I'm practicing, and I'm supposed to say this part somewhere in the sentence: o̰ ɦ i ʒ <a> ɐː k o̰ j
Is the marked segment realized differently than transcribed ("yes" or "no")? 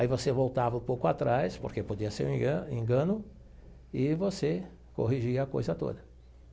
yes